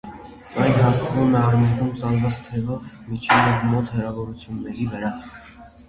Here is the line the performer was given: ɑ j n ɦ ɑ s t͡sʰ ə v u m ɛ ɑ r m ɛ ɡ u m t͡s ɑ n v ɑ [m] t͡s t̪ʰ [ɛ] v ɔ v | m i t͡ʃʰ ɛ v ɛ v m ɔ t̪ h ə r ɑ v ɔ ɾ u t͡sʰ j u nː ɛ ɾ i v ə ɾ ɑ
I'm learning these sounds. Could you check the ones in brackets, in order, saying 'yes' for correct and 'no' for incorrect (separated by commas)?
no, yes